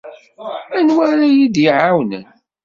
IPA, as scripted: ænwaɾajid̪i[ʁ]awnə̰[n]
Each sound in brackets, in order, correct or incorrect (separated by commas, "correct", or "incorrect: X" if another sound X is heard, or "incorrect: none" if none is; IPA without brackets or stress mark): incorrect: ʕ, correct